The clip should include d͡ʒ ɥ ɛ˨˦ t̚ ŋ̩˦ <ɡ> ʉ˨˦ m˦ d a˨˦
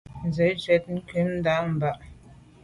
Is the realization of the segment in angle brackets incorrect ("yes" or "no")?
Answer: yes